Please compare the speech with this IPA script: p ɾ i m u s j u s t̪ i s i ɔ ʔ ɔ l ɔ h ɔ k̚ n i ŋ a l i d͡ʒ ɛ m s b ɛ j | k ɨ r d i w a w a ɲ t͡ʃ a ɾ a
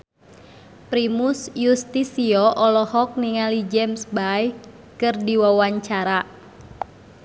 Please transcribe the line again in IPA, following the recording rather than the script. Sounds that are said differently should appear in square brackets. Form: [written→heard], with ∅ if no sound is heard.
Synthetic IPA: p ɾ i m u s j u s t̪ i s i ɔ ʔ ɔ l ɔ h ɔ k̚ n i ŋ a l i d͡ʒ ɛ m s b [ɛ→a] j | k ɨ r d i w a w a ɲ t͡ʃ a ɾ a